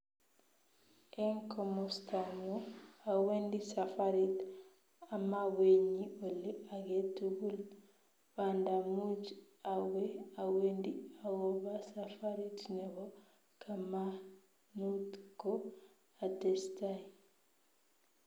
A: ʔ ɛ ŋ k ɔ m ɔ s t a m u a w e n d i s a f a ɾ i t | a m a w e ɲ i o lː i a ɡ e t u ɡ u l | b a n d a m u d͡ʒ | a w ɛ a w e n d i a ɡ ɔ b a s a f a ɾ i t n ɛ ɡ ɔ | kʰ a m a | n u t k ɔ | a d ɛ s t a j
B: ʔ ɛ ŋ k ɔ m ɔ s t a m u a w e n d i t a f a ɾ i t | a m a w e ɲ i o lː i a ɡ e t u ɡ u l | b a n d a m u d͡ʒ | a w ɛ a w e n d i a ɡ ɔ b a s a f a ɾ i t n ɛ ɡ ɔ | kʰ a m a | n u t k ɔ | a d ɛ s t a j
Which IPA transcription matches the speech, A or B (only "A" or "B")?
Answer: A